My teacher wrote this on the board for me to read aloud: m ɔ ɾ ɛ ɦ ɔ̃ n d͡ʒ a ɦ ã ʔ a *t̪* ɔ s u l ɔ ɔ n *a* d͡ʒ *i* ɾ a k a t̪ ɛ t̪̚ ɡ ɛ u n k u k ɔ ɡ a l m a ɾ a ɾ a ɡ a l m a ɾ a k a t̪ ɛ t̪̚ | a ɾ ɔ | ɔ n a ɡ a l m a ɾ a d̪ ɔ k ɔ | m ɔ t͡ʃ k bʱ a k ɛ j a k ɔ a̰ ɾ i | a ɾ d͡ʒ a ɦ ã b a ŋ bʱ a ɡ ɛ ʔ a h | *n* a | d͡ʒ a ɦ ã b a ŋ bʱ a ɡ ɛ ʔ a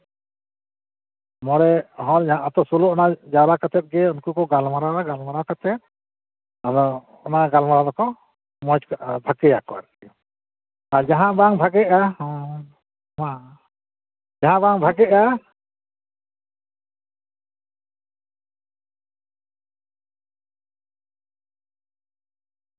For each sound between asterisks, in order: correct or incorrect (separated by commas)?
correct, correct, incorrect, incorrect